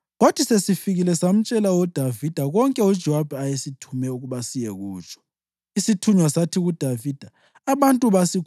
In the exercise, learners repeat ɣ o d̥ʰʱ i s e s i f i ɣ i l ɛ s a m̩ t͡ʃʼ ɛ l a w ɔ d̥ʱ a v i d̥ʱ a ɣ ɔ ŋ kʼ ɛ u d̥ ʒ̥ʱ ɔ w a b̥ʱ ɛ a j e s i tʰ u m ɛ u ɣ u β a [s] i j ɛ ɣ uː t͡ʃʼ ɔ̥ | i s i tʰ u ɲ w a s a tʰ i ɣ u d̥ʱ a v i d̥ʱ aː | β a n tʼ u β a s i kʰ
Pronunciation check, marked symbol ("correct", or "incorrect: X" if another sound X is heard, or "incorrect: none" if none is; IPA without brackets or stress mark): correct